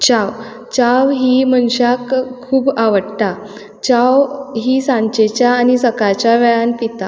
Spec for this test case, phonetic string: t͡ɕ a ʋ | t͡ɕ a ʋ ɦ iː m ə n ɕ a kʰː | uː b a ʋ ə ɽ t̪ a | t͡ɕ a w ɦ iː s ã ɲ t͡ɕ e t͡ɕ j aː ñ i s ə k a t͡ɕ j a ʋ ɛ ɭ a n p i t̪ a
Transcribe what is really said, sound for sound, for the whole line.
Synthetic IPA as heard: t͡ɕ a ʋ | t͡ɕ a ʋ ɦ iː m ə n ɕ a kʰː | uː b a ʋ ə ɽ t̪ a | t͡ɕ a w ɦ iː s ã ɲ t͡ɕ e t͡ɕ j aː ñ i s ə k a t͡ɕ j a ʋ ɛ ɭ a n p i t̪ a

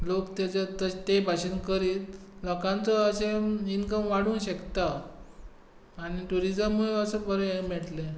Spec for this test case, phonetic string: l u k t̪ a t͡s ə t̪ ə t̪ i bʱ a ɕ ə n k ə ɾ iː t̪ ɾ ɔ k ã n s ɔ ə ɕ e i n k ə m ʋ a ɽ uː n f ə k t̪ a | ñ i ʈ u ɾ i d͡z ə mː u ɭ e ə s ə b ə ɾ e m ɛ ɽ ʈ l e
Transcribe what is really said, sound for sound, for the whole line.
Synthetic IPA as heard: l o k t̪ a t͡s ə t̪ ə t̪ e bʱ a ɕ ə n k ə ɾ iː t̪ l ɔ k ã n t͡s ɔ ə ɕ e i n k ə m ʋ a ɽ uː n ɕ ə k t̪ a | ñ i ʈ u ɾ i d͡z ə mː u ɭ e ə s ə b ə ɾ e m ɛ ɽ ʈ l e

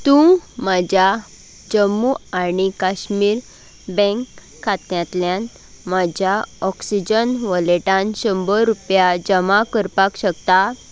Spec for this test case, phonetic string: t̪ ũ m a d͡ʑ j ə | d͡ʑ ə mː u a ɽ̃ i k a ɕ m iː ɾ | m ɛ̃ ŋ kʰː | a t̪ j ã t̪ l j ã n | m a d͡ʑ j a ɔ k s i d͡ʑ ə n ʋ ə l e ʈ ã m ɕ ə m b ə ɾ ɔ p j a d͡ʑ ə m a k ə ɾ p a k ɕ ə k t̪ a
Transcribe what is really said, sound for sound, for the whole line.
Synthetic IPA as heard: t̪ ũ m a d͡ʑ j a | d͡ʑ ə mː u a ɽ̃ i k a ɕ m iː ɾ | b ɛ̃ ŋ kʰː | a t̪ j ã t̪ l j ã n | m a d͡ʑ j a ɔ k s i d͡ʑ ə n ʋ ə l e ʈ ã n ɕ ə m b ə ɾ u p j a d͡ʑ ə m a k ə ɾ p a k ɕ ə k t̪ a

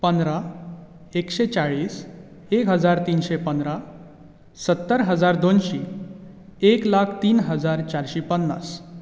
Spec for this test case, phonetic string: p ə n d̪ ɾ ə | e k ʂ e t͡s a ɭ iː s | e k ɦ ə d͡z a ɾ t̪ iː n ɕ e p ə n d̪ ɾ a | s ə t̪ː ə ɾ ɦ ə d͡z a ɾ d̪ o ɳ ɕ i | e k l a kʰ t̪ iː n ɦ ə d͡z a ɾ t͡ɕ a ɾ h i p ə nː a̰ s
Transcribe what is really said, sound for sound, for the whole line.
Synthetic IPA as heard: p ə n d̪ ɾ a | e k ɕ e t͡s a ɭ iː s | e k ɦ ə d͡z a ɾ t̪ iː n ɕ e p ə n d̪ ɾ a | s ə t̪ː ə ɾ ɦ ə d͡z a ɾ d̪ o n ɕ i | e k l a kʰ t̪ iː n ɦ ə d͡z a ɾ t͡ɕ a ɾ ɕ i p ə nː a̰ s

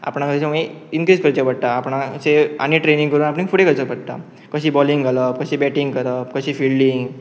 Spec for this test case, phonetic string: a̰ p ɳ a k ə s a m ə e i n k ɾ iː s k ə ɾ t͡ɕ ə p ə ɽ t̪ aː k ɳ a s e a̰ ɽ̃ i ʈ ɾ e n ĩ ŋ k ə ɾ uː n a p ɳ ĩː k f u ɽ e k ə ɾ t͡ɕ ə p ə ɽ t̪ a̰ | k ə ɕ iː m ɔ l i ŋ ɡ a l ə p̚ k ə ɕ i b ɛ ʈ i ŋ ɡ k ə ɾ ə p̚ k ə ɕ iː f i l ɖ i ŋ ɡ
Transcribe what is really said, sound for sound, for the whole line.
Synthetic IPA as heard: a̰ p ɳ a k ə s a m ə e i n k ɾ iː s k ə ɾ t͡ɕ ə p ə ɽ t̪ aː p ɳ a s e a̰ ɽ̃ i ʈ ɾ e n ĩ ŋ k ə ɾ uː n a p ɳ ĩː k f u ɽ e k ə ɾ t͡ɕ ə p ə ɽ t̪ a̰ | k ə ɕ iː b ɔ l i ŋ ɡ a l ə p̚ k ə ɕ i b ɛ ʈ i ŋ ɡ k ə ɾ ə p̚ k ə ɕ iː f i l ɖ i ŋ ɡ

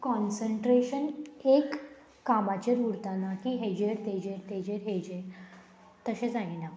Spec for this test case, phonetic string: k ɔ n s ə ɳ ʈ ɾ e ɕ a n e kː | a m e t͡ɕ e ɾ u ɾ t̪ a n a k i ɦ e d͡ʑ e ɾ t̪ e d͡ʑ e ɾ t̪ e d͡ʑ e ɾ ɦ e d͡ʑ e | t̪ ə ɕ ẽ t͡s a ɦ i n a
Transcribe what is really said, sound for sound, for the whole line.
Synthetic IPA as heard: k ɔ n s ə ɳ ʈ ɾ e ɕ ə n e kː | a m a t͡ɕ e ɾ u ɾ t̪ a n a k i ɦ e d͡ʑ e ɾ t̪ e d͡ʑ e ɾ t̪ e d͡ʑ e ɾ ɦ e d͡ʑ e | t̪ ə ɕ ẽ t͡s a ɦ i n a

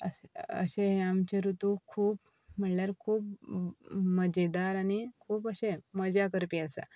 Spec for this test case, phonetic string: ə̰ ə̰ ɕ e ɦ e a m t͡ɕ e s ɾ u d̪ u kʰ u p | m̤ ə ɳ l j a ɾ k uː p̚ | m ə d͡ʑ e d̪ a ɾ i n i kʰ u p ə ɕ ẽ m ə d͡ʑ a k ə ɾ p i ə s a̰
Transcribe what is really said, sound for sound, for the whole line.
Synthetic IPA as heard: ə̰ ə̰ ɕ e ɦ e a m t͡ɕ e ɾ u t̪ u kʰ uː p | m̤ ə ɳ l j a ɾ kʰ uː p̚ | m ə d͡ʑ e d̪ a ɾ a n i kʰ uː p ə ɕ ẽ m ə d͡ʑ a k ə ɾ p i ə s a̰

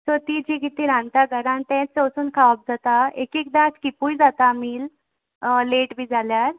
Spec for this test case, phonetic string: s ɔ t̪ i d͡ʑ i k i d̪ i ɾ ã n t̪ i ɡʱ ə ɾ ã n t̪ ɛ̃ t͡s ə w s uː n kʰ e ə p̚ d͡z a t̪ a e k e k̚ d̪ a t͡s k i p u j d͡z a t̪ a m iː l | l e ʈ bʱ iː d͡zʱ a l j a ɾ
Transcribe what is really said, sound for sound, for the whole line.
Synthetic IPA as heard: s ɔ t̪ i d͡ʑ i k i t̪ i ɾ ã n t̪ a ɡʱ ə ɾ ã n t̪ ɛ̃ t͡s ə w s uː n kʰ a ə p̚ d͡z a t̪ a e k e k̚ d̪ a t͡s k i p u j d͡z a t̪ a m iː l | l e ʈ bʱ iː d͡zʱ a l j a ɾ

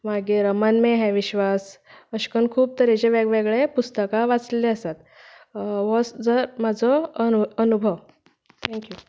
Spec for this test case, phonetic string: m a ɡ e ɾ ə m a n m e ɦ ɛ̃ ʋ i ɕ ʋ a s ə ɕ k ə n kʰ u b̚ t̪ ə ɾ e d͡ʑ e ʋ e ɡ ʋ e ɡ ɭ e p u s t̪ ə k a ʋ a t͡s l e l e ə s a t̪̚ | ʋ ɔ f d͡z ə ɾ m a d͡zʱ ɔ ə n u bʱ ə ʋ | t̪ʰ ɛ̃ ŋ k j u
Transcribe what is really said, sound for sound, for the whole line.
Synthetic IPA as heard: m a ɡ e ɾ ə m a n m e ɦ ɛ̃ ʋ i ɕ ʋ a s ə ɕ k ə n kʰ uː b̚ t̪ ə ɾ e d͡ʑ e ʋ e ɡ ʋ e ɡ ɭ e p u s t̪ ə k a ʋ a t͡s l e l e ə s a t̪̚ | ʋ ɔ s d͡z ə ɾ m a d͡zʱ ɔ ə n u bʱ ə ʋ | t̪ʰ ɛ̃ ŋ k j u

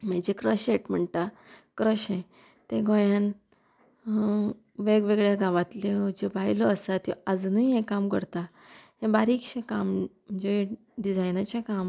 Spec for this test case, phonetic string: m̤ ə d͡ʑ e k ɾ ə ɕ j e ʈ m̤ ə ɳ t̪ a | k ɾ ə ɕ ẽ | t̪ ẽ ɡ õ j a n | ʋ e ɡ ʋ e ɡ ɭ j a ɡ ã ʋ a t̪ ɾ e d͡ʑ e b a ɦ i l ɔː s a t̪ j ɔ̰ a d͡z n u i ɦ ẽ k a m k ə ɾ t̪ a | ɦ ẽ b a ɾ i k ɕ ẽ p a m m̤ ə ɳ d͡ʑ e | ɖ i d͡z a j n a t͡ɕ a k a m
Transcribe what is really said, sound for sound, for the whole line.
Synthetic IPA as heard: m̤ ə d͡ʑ e k ɾ ə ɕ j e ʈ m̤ ə ɳ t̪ a | k ɾ ə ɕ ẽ | t̪ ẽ ɡ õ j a n | ʋ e ɡ ʋ e ɡ ɭ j a ɡ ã ʋ a t̪ l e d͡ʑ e b a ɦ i l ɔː s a t̪ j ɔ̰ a d͡z n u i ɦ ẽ k a m k ə ɾ t̪ a | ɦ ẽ b a ɾ i k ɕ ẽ k a m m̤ ə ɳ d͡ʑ e | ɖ i d͡z a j n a t͡ɕ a k a m

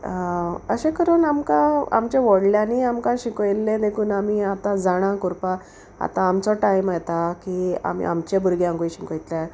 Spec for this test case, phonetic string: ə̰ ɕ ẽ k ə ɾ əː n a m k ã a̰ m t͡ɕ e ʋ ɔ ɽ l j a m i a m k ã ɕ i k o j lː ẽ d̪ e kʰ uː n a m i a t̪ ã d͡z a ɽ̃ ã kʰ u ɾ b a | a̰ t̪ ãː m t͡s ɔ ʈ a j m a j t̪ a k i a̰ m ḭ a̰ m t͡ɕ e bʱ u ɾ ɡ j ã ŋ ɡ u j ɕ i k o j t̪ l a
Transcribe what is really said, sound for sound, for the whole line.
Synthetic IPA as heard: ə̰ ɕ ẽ k ə ɾ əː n a m k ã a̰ m t͡ɕ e ʋ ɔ ɽ l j a n i a m k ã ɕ i k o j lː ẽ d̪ e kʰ uː n a m i a t̪ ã d͡z a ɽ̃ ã k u ɾ p a | a̰ t̪ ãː m t͡s ɔ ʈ a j m a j t̪ a k i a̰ m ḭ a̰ m t͡ɕ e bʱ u ɾ ɡ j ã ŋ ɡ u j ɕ i k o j t̪ l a

